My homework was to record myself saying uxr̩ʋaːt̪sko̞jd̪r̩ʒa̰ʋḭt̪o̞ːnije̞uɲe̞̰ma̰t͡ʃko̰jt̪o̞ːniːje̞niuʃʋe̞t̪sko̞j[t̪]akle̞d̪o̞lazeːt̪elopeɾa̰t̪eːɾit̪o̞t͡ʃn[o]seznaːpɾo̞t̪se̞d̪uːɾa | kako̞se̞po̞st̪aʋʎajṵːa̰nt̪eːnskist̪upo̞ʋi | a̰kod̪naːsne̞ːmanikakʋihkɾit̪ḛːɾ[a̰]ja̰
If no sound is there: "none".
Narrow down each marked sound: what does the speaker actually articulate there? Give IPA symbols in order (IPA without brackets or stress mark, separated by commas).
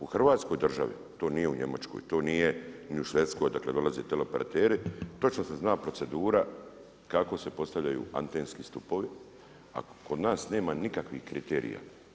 d̪, o, ḭ